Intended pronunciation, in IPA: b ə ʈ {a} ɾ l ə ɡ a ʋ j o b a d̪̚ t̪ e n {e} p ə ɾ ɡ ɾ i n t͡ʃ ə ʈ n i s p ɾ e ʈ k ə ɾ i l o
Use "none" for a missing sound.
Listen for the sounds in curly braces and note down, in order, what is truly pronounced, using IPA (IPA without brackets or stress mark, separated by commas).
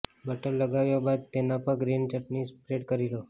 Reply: ə, a